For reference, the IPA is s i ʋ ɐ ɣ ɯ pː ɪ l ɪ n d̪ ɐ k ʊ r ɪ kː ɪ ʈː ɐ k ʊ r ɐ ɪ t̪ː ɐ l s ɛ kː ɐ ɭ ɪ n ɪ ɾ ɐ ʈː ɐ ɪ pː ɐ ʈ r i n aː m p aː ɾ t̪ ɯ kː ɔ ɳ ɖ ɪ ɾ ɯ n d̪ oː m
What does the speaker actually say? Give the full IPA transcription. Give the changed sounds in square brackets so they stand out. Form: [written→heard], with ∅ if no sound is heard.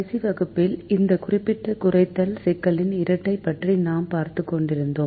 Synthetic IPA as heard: s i ʋ ɐ ɣ ɯ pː ɪ l ɪ n d̪ ɐ k ʊ r ɪ [kː→pː] ɪ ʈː ɐ k ʊ r ɐ ɪ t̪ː ɐ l s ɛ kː ɐ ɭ ɪ n ɪ ɾ ɐ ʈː ɐ ɪ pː ɐ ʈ r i n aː m p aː ɾ t̪ ɯ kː ɔ ɳ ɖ ɪ ɾ ɯ n d̪ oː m